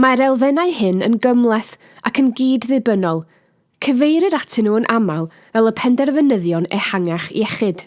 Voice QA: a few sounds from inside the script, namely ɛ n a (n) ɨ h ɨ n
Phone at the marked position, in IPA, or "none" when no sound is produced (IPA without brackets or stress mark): none